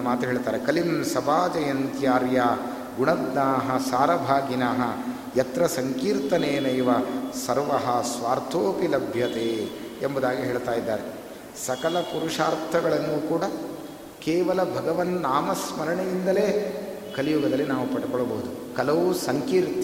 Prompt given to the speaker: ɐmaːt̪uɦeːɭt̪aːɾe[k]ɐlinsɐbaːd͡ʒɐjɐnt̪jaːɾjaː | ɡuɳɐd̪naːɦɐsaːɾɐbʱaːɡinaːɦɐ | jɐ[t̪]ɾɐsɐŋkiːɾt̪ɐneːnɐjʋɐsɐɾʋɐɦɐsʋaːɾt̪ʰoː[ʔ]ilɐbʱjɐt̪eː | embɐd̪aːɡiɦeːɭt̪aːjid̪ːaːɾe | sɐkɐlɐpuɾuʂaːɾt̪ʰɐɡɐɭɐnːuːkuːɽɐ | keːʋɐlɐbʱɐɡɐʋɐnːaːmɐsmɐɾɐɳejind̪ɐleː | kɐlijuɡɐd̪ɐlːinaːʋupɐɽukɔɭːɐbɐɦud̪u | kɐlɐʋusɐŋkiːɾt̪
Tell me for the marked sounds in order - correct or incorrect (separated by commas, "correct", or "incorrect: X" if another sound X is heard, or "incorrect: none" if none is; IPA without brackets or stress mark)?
correct, correct, incorrect: p